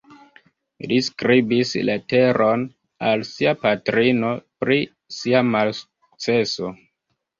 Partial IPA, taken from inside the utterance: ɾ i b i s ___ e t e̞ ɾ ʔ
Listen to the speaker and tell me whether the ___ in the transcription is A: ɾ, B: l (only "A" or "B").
B